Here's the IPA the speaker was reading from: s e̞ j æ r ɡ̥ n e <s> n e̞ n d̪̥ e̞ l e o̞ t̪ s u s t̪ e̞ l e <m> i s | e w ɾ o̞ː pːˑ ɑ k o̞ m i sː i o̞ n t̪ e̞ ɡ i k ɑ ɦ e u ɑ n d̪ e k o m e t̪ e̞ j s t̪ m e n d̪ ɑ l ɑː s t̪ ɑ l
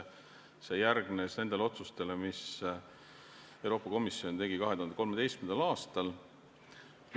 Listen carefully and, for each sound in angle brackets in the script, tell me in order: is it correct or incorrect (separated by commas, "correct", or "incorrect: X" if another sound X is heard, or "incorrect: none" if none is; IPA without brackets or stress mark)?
correct, correct